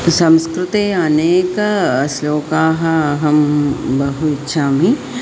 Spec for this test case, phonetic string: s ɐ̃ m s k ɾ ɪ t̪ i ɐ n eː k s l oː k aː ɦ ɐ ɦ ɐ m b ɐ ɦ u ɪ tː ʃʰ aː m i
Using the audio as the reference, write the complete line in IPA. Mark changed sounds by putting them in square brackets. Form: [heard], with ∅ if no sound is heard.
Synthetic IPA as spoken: s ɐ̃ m s k ɾ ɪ t̪ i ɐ n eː k s l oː k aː ɦ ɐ ɦ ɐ m b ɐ ɦ u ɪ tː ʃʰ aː m i